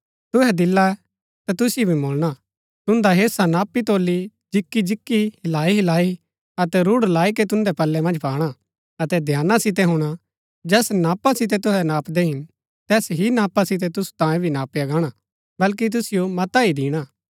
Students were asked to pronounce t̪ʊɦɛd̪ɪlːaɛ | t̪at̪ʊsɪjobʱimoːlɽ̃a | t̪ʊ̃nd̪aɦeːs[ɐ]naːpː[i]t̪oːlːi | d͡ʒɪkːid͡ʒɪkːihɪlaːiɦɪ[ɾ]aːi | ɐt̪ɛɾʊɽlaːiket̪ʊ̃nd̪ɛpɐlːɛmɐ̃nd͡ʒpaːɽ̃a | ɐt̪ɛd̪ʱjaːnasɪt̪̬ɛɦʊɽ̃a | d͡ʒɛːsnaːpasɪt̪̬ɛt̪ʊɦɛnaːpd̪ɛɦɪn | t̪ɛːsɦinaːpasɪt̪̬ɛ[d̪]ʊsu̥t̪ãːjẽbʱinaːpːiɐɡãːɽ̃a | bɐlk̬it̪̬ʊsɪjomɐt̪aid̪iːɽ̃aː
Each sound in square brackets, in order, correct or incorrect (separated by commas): incorrect, correct, incorrect, incorrect